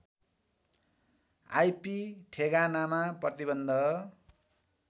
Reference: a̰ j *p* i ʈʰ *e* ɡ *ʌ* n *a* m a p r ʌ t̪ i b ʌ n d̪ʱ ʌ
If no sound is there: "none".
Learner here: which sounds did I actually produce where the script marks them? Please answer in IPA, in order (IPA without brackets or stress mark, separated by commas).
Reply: p, e, a, a